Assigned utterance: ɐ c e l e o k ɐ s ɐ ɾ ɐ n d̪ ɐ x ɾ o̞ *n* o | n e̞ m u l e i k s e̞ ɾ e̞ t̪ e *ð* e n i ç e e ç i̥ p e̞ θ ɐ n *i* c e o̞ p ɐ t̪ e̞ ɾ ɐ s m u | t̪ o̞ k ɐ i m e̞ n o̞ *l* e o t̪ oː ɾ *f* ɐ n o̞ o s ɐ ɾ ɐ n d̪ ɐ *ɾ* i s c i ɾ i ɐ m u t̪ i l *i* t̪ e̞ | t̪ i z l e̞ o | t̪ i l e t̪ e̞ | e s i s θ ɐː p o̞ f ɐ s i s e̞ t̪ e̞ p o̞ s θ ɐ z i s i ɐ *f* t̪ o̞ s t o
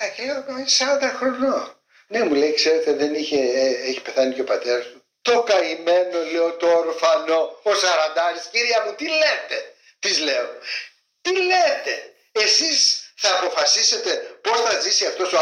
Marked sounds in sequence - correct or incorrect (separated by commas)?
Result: correct, correct, correct, correct, correct, correct, incorrect, correct